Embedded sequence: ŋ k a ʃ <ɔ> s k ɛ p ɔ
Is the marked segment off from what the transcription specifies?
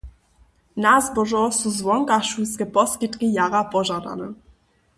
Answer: yes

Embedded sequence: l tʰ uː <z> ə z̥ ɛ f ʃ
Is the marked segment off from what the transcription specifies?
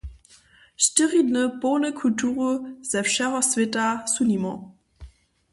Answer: yes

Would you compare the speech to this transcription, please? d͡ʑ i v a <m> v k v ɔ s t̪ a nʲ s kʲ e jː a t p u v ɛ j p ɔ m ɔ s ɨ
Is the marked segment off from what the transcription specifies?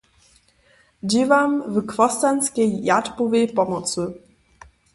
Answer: no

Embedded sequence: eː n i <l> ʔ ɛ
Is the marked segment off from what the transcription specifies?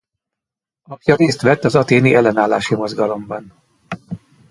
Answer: yes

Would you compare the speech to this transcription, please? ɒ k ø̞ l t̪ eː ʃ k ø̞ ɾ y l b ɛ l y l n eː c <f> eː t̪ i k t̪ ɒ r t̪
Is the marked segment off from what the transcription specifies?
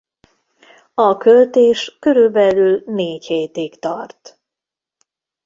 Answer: yes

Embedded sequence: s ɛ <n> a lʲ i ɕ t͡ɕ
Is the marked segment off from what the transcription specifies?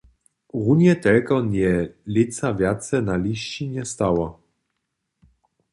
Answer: no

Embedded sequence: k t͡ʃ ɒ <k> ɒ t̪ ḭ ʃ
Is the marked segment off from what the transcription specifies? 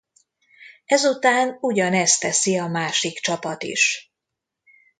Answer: yes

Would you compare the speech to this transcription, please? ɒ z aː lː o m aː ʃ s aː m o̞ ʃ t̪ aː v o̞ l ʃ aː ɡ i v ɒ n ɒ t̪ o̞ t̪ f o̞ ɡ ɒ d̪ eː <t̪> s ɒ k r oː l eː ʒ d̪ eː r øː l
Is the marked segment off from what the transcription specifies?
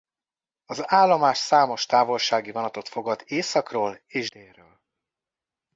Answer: yes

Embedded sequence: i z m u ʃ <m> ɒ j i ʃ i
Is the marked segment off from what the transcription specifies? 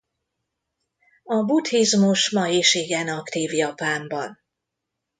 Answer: no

